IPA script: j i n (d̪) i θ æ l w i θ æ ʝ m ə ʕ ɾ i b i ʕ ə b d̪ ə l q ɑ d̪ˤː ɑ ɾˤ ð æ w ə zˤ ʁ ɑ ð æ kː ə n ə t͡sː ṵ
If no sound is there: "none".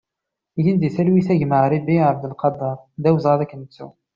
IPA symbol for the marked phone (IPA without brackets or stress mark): d̪